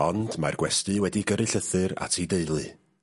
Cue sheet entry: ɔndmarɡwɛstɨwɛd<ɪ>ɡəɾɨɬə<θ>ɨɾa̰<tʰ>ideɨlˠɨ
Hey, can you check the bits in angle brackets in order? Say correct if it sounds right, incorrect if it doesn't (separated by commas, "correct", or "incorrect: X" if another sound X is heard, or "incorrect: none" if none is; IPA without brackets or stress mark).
incorrect: i, correct, correct